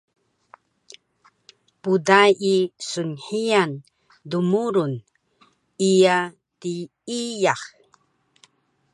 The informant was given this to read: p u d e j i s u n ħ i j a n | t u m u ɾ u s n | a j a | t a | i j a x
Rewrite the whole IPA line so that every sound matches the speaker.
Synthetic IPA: p u d a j i s u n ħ i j a n | d u m u ɾ u n | i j a | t i | i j a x